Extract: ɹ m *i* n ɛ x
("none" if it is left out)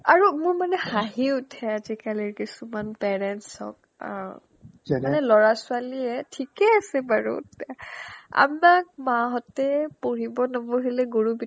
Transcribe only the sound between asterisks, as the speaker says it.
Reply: a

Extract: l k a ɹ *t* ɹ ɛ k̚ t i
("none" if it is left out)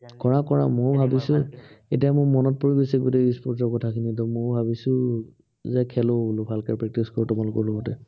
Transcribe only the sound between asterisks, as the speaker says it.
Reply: p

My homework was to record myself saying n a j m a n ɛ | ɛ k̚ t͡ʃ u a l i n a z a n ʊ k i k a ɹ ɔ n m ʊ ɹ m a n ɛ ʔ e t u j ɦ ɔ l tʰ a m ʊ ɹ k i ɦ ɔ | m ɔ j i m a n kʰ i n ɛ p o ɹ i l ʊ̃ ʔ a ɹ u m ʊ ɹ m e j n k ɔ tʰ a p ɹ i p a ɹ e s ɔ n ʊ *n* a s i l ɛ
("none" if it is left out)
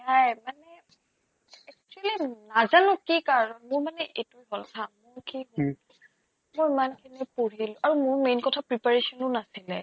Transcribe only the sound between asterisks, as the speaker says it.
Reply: n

